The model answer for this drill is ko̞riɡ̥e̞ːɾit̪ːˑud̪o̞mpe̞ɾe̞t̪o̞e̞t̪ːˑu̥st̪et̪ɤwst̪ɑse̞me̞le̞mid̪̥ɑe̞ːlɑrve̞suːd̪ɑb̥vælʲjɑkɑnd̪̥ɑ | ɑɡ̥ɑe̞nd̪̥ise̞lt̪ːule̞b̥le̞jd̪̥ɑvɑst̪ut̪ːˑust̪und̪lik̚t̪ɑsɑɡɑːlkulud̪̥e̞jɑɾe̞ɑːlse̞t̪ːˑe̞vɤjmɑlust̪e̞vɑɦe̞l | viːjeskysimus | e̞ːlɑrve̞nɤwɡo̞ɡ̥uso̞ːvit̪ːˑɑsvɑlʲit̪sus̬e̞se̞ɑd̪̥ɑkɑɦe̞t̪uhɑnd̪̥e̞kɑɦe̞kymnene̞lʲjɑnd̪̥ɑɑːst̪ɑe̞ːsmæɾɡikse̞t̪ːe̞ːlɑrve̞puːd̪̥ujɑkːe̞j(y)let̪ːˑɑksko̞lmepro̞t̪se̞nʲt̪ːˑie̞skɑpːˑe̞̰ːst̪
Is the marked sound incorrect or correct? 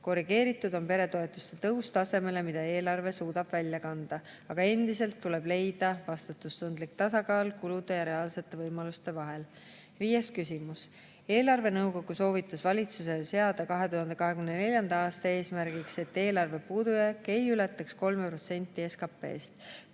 correct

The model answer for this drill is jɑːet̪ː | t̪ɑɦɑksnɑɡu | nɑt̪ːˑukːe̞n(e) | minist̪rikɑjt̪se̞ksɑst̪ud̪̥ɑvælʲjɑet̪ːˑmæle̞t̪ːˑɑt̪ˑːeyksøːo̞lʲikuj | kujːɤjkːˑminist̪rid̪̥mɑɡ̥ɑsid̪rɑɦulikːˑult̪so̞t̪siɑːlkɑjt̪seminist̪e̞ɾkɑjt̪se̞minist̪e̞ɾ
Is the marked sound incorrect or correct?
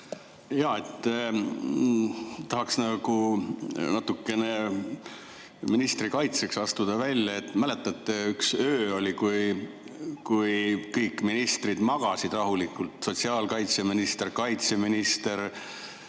correct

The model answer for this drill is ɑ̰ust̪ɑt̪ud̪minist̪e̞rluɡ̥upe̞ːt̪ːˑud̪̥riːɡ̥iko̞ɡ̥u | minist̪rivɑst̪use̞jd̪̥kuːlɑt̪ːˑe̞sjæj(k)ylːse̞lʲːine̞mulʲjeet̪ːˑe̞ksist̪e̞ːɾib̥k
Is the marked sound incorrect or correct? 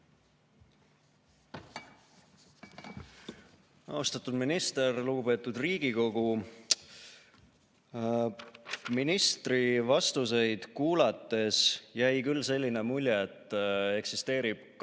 correct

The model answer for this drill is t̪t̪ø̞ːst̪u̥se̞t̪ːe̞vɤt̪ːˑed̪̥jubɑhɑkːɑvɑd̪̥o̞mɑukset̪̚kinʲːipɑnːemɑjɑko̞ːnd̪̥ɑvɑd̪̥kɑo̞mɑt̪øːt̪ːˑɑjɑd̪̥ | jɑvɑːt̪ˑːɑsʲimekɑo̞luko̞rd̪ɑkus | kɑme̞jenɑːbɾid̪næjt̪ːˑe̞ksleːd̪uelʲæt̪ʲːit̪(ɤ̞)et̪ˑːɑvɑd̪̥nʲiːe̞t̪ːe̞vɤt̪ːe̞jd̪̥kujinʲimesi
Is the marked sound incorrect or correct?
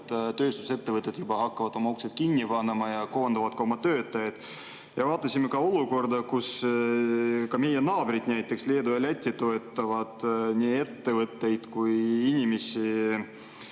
incorrect: o̞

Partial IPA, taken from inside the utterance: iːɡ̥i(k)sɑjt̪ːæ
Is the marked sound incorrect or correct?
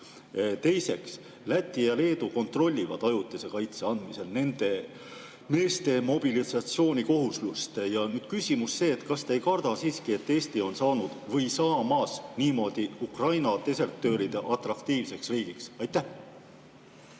correct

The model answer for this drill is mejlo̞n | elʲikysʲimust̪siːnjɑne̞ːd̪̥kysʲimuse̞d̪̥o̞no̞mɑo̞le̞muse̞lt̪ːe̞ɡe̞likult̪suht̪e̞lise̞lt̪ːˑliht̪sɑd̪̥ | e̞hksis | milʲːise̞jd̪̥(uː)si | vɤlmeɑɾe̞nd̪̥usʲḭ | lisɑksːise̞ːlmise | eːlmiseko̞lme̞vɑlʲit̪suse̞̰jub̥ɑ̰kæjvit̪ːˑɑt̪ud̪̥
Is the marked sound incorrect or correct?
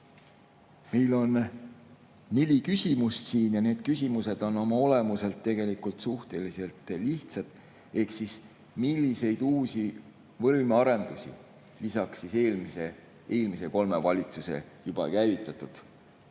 correct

